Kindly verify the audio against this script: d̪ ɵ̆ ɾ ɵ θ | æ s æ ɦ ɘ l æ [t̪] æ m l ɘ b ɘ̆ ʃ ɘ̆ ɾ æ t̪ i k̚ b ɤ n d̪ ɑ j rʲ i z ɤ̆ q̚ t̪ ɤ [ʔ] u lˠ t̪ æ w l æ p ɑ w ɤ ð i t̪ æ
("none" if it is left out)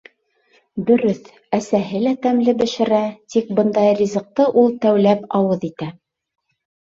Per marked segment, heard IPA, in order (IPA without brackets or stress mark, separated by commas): t̪, ʔ